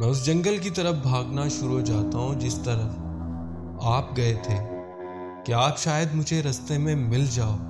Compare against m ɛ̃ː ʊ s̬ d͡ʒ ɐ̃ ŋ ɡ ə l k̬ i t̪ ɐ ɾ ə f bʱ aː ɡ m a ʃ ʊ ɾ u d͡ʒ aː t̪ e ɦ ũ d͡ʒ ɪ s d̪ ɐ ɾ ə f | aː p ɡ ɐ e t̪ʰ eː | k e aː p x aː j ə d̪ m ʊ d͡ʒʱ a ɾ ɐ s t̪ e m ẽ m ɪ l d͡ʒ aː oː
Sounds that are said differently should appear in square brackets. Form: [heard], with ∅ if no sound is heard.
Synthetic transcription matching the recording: m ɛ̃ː ʊ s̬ d͡ʒ ɐ̃ ŋ ɡ ə l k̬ i t̪ ɐ ɾ ə f bʱ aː ɡ [n] a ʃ ʊ ɾ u d͡ʒ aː t̪ [a] ɦ ũ d͡ʒ ɪ s [t̪] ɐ ɾ ə f | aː p ɡ ɐ e t̪ʰ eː | k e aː p [ʃ] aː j ə d̪ m ʊ d͡ʒʱ [e] ɾ ɐ s t̪ e m ẽ m ɪ l d͡ʒ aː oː